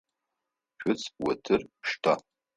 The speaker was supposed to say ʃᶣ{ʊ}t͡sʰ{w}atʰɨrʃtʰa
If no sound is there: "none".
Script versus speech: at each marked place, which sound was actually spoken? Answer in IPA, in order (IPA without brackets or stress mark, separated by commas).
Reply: ʊ, w